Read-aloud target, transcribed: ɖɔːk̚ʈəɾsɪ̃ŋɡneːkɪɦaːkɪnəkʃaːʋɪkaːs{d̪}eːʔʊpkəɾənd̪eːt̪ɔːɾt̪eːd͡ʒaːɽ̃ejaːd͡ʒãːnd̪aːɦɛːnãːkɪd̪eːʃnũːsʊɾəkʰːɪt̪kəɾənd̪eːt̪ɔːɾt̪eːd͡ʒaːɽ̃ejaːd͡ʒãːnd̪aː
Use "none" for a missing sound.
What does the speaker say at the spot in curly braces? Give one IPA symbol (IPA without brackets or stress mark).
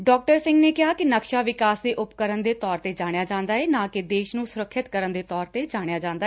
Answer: d̪